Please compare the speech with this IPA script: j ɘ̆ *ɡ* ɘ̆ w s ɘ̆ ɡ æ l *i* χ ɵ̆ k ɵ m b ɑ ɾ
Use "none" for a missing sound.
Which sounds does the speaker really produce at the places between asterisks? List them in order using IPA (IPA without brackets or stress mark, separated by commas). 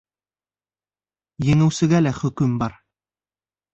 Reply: ŋ, æ